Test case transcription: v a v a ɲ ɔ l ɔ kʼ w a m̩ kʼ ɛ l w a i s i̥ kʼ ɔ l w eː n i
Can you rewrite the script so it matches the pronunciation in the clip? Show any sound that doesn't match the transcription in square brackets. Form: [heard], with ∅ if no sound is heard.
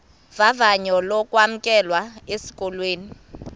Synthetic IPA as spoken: v a v a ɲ ɔ l ɔ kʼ w a m̩ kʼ ɛ l w a [e] s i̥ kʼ ɔ l w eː n i